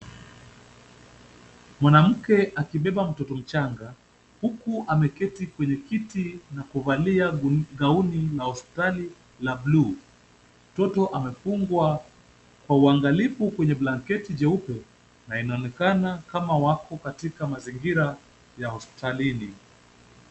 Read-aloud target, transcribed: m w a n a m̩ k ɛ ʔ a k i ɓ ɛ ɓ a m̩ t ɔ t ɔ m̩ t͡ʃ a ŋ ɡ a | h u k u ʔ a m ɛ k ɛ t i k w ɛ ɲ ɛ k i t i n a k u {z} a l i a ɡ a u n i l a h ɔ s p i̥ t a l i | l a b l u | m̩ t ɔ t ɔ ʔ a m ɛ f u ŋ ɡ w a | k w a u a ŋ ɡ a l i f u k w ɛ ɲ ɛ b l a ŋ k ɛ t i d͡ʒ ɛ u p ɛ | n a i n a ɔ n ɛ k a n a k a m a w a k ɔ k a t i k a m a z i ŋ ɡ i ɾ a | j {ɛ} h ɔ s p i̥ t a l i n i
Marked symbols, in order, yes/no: no, no

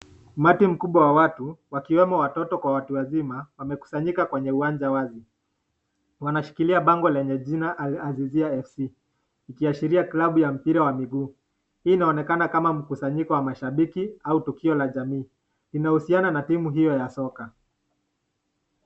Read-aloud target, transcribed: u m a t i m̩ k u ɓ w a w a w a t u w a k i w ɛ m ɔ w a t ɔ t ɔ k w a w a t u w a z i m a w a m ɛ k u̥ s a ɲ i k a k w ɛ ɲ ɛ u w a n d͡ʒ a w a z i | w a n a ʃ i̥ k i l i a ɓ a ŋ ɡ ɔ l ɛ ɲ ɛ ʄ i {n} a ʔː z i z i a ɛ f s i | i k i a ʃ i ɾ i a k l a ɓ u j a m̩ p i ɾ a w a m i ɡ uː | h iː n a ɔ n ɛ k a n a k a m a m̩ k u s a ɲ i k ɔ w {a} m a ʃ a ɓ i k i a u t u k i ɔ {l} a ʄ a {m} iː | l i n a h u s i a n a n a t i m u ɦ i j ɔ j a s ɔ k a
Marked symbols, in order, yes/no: yes, yes, yes, yes

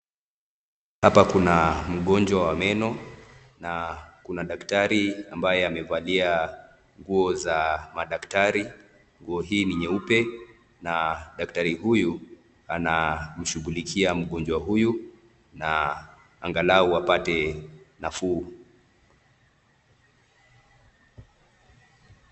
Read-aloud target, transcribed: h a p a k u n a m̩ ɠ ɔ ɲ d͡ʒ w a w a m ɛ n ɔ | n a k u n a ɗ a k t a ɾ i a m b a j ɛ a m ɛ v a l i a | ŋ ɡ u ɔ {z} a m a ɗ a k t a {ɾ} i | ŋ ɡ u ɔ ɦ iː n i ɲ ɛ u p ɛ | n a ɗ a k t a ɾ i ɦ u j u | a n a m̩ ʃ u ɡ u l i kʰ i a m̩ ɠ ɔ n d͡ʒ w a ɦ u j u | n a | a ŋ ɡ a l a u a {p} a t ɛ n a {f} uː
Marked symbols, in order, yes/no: yes, yes, yes, yes

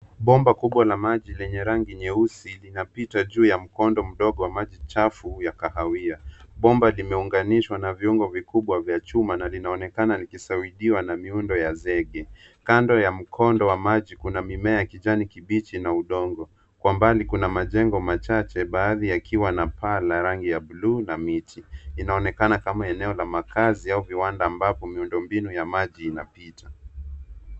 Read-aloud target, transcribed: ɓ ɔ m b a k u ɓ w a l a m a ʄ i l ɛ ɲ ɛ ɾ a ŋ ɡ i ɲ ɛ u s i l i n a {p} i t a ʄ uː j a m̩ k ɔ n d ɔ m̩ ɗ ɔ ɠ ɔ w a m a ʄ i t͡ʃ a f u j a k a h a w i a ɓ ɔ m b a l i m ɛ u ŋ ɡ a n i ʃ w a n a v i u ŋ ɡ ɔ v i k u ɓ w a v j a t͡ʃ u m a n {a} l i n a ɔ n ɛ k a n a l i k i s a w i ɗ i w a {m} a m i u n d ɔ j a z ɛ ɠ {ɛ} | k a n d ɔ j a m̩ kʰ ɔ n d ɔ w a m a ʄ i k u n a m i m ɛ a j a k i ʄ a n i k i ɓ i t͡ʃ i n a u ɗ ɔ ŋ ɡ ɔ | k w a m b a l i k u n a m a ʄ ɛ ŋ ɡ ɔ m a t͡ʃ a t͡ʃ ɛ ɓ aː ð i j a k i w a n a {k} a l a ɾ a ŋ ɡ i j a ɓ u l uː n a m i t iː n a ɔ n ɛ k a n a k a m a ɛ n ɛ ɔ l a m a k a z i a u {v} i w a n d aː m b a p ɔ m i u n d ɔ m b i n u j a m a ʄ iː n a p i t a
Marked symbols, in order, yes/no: yes, yes, no, yes, no, yes

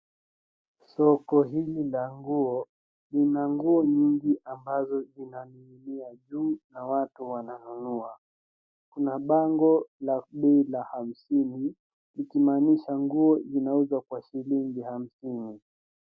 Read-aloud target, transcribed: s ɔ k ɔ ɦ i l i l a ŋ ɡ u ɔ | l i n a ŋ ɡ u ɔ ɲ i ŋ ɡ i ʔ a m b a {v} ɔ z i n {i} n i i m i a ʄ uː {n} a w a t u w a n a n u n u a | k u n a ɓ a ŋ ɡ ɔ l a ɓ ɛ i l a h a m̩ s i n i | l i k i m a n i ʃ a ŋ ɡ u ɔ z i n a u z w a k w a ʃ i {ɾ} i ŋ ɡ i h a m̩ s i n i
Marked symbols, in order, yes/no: no, no, yes, no

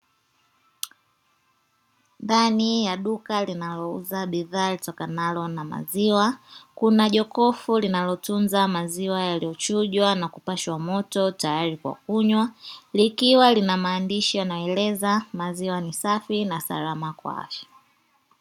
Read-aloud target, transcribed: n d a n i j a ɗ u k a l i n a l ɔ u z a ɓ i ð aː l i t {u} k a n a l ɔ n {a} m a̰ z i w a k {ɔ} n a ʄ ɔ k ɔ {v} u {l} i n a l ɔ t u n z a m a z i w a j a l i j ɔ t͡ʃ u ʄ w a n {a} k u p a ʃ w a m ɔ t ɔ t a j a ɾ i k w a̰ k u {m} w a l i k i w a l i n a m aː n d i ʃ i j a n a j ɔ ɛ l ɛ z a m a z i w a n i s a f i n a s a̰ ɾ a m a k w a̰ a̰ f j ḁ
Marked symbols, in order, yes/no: no, yes, no, no, yes, yes, no

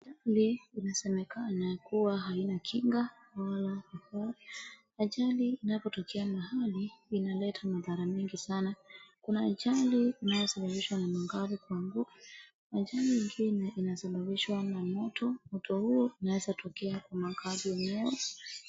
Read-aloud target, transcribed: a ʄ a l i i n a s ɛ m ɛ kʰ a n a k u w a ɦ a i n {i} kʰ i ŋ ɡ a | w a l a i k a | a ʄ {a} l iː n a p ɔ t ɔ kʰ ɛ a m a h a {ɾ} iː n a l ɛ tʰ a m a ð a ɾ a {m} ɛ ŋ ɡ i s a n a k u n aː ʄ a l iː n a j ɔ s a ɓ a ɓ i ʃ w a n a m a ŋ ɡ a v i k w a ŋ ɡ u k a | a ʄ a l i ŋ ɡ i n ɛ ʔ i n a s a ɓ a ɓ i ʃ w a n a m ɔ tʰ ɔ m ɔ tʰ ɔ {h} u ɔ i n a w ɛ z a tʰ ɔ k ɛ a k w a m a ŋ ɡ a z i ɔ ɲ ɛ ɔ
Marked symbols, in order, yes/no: no, yes, no, yes, yes

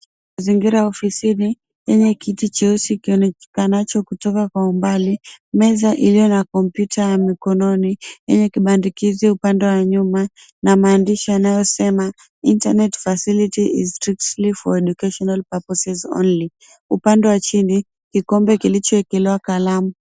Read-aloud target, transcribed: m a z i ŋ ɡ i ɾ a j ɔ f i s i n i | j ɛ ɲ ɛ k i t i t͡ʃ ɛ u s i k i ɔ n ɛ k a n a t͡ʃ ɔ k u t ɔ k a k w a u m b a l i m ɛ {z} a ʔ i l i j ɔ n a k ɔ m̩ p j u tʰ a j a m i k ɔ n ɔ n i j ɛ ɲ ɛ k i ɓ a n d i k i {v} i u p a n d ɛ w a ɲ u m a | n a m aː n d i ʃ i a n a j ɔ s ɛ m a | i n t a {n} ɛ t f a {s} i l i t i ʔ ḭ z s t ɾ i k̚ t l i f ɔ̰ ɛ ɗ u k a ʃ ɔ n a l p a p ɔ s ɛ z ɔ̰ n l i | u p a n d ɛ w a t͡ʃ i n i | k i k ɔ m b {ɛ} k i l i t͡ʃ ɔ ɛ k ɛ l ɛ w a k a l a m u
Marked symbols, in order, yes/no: yes, no, yes, yes, yes

